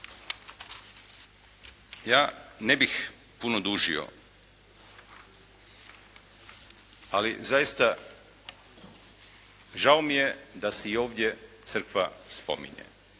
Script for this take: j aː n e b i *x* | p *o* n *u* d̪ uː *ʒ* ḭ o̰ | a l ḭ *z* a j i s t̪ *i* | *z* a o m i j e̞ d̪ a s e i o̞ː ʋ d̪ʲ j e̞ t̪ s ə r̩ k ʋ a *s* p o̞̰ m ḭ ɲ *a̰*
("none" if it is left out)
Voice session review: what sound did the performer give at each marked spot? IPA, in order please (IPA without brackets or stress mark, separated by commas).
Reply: x, u, o, ʒ, z, a, ʒ, s, ḛ